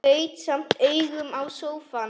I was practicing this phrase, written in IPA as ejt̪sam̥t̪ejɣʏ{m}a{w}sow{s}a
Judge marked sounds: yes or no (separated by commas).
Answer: yes, yes, no